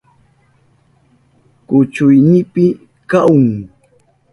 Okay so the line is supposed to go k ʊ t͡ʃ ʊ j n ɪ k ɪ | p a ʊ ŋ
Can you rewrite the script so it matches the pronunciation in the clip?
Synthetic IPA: k ʊ t͡ʃ ʊ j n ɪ p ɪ | k a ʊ ŋ